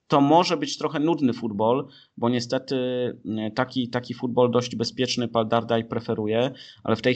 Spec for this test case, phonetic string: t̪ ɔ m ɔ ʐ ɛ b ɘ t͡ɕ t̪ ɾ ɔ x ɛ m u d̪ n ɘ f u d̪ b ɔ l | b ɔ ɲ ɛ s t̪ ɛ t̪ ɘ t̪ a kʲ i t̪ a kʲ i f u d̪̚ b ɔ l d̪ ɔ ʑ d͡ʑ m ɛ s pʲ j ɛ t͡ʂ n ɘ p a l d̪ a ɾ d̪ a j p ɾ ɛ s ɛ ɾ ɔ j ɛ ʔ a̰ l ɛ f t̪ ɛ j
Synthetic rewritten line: t̪ ɔ m ɔ ʐ ɛ b ɘ t͡ɕ t̪ ɾ ɔ x ɛ n u d̪ n ɘ f u d̪ b ɔ l | b ɔ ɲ ɛ s t̪ ɛ t̪ ɘ t̪ a kʲ i t̪ a kʲ i f u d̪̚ b ɔ l d̪ ɔ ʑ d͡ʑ b ɛ s pʲ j ɛ t͡ʂ n ɘ p a l d̪ a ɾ d̪ a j p ɾ ɛ f ɛ ɾ u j ɛ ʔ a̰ l ɛ f t̪ ɛ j